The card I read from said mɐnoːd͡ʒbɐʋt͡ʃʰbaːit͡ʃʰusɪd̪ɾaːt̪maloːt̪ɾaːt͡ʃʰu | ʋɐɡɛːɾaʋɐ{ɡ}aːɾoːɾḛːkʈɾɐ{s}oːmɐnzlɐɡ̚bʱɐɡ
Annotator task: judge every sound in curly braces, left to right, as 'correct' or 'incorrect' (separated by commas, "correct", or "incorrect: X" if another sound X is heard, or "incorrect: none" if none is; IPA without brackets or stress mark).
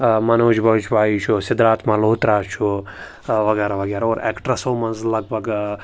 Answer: correct, correct